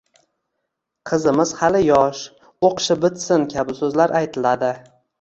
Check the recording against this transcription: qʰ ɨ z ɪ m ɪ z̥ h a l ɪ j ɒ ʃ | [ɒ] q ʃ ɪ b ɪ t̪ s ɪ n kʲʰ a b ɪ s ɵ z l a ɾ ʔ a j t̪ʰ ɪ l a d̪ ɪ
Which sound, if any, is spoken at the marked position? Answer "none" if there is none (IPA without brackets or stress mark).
o